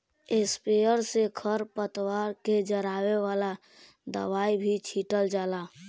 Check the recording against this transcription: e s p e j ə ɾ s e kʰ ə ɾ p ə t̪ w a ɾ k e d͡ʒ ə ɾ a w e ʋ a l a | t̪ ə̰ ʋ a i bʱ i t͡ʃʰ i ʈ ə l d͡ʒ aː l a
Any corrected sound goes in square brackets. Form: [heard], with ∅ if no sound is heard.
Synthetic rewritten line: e s p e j ə ɾ s e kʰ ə ɾ p ə t̪ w a ɾ k e d͡ʒ ə ɾ a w e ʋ a l a | [d̪] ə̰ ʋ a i bʱ i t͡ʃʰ i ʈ ə l d͡ʒ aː l a